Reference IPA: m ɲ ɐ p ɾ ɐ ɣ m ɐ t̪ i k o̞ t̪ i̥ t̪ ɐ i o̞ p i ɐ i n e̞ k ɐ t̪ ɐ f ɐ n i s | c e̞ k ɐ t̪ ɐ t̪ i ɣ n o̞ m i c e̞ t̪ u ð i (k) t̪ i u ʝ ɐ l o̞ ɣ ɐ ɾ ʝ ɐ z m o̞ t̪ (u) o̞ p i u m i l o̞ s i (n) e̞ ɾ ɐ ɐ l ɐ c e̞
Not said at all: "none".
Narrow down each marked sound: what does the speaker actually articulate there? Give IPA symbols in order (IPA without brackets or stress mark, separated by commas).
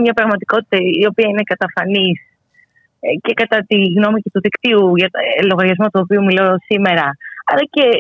k, u, m